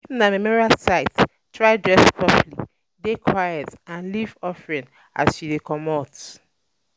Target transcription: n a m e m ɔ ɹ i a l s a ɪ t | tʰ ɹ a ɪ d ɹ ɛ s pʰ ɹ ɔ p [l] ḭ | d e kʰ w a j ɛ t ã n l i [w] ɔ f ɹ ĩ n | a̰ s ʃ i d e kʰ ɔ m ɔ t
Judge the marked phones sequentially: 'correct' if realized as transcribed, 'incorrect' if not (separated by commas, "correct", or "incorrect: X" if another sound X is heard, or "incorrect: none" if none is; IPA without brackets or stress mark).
correct, incorrect: v